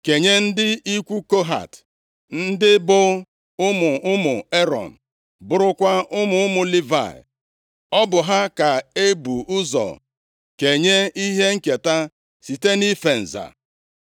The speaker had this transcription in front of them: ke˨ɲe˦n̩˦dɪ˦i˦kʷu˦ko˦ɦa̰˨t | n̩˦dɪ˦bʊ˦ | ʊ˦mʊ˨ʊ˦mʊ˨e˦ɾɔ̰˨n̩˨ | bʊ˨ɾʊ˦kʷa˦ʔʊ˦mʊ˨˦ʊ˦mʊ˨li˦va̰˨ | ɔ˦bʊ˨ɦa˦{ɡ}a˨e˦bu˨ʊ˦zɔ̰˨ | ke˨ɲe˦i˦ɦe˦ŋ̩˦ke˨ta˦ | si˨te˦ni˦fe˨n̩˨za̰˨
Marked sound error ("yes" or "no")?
yes